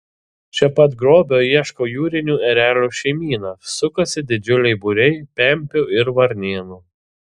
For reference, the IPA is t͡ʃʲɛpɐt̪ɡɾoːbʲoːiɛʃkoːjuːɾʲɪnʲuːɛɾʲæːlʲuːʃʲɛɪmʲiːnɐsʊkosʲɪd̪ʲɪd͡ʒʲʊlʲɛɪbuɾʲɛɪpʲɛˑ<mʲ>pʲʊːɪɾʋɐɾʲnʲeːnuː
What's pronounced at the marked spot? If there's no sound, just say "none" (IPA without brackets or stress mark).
mʲ